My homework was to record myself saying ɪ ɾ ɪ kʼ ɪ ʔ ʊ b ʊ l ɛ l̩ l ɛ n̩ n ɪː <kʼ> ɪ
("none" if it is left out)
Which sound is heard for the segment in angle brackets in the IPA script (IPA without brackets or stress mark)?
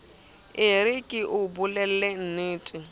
tʼ